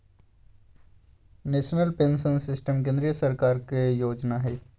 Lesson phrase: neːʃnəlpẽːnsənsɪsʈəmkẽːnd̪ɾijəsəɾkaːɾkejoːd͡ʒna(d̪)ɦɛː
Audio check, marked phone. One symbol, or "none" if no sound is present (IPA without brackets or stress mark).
none